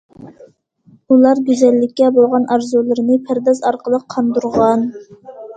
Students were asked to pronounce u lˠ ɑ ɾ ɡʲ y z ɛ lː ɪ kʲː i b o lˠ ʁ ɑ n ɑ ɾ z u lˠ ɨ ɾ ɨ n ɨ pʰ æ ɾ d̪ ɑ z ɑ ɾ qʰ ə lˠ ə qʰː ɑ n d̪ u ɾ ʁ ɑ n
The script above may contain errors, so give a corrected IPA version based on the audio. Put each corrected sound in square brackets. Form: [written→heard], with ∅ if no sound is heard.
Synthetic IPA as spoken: u lˠ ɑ ɾ ɡʲ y z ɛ lː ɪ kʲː [i→ɛ] b o lˠ ʁ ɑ n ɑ ɾ z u lˠ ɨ ɾ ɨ n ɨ pʰ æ ɾ d̪ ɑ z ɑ ɾ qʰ ə lˠ ə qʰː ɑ n d̪ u ɾ ʁ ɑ n